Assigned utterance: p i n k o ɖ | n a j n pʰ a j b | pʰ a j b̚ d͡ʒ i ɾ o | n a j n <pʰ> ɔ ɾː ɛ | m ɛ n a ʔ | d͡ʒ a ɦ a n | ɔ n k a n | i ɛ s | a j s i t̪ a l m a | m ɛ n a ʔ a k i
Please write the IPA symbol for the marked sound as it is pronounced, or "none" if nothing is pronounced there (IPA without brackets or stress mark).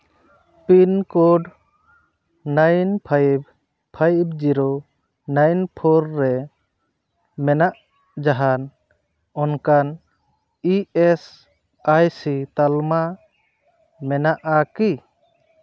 pʰ